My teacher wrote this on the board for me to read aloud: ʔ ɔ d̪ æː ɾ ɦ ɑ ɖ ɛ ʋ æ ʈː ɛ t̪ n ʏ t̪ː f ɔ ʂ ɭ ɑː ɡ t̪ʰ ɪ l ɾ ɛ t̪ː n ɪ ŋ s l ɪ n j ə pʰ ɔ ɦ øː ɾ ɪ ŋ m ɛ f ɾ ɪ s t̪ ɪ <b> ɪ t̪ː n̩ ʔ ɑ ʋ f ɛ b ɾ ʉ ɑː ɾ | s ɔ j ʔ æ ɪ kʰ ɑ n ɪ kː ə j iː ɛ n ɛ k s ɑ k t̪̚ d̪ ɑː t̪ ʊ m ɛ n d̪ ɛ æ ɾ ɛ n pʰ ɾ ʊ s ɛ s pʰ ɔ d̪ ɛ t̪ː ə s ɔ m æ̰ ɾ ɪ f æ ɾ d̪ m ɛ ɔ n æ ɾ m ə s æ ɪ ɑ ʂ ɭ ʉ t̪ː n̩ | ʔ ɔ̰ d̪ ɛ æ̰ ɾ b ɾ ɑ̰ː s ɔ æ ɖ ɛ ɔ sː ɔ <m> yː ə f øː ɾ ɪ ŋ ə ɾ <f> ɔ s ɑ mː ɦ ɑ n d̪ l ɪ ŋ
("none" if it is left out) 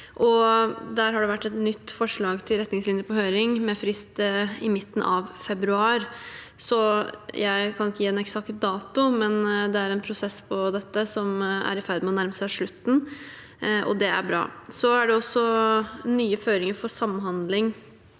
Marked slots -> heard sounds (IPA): m, n, f

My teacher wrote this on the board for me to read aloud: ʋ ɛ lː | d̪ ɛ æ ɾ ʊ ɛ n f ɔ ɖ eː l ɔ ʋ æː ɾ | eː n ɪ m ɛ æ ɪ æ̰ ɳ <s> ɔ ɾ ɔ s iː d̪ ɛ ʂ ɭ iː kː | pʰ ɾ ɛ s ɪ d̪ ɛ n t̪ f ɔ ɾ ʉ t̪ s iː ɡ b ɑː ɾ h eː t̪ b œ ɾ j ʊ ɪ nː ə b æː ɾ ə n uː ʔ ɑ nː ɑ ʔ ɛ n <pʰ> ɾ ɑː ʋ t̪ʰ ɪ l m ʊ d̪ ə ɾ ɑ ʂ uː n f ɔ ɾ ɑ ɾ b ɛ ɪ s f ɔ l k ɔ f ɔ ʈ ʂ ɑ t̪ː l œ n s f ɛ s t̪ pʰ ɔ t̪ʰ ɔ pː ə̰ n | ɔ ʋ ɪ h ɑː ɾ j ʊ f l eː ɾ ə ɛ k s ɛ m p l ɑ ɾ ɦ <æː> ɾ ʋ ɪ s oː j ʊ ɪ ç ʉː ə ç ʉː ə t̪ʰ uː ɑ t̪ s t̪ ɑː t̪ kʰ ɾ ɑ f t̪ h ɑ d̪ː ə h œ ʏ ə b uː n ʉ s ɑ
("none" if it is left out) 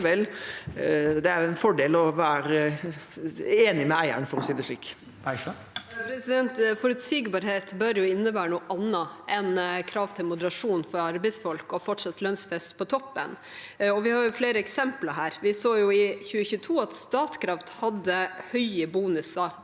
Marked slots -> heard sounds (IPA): f, kʰ, æː

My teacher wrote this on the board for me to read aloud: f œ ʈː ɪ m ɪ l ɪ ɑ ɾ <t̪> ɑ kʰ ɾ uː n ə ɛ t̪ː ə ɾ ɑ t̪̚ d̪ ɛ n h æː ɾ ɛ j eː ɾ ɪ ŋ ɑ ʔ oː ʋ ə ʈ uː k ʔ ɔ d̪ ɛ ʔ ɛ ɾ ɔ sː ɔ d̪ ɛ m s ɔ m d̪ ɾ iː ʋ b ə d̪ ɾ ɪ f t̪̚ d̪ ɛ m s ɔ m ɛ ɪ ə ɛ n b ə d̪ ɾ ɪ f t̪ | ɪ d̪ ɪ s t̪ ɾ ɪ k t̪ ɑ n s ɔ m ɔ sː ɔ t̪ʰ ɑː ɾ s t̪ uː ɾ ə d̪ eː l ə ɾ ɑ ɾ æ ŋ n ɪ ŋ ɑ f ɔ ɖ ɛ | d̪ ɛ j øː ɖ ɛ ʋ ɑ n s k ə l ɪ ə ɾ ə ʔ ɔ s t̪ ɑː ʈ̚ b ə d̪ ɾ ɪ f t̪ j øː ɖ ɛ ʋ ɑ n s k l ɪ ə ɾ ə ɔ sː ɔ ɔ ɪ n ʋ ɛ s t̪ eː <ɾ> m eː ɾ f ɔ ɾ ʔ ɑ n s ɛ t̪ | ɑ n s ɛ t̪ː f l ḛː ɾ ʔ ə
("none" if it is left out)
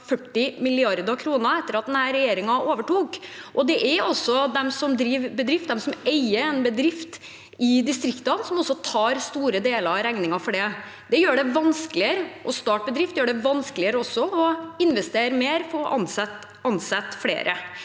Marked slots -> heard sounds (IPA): d̪, ɾ

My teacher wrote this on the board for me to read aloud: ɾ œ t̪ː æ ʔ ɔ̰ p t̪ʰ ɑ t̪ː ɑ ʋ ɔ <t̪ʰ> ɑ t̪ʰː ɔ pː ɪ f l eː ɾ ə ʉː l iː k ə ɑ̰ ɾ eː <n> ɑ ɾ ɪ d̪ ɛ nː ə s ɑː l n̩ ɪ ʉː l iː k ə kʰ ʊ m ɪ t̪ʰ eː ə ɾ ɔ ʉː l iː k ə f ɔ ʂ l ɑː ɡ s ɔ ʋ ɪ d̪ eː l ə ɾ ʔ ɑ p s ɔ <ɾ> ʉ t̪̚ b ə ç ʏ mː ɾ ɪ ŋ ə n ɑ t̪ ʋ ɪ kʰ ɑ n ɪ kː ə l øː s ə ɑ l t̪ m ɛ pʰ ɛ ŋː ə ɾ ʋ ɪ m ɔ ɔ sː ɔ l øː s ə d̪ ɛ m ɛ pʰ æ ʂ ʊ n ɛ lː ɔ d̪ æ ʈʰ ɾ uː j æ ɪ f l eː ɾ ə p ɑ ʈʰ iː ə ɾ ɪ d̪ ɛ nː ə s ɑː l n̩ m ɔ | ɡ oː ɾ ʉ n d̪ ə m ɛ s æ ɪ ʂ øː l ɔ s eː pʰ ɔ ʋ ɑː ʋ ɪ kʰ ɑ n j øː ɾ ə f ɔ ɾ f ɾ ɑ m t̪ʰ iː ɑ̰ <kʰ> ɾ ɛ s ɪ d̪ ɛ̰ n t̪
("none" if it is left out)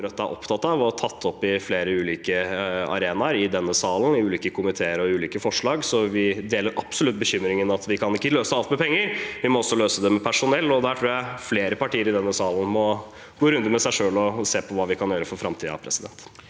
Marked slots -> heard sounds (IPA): t̪ʰ, n, l, pʰ

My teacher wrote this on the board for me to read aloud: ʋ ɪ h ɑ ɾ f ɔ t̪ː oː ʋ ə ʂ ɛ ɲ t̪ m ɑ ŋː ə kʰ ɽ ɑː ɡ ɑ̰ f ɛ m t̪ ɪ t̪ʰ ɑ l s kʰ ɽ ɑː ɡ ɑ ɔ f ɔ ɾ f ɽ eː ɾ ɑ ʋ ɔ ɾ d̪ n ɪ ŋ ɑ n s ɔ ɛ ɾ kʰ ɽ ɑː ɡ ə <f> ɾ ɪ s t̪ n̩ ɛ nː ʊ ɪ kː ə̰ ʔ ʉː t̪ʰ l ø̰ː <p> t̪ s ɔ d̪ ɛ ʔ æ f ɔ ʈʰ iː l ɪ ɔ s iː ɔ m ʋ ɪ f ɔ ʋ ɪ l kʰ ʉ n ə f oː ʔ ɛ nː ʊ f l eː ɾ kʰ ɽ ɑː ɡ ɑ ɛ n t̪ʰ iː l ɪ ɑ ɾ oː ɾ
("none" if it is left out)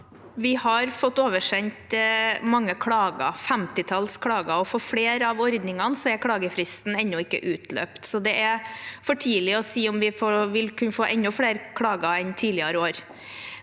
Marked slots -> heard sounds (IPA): f, p

